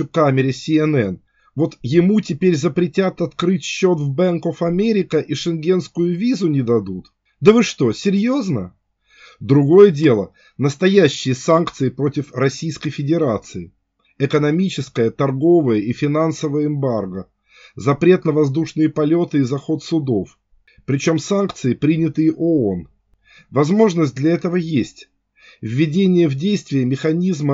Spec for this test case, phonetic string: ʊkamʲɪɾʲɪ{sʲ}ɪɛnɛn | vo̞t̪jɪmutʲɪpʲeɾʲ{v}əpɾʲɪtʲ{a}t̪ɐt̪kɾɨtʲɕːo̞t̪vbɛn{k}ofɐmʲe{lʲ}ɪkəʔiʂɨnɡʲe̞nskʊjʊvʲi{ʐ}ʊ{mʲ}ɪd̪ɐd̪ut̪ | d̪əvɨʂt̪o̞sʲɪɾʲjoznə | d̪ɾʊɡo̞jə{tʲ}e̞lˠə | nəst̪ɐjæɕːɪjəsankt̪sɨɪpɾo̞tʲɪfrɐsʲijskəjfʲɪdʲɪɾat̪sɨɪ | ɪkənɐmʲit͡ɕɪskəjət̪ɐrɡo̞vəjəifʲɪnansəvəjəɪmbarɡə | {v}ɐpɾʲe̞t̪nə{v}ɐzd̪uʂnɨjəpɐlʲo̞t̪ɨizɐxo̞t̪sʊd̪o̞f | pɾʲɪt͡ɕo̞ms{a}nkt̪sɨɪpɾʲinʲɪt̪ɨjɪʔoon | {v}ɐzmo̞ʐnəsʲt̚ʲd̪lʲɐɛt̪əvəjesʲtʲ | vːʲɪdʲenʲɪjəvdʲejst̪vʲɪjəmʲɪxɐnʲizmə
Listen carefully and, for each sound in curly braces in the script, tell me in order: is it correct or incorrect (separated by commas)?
correct, incorrect, correct, correct, incorrect, incorrect, incorrect, incorrect, incorrect, correct, correct, correct